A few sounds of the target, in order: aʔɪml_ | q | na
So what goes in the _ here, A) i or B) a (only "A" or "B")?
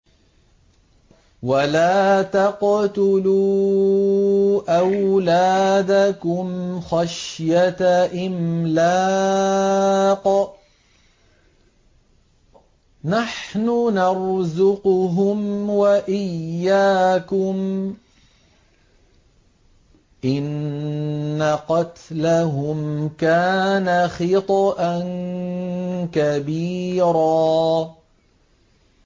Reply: B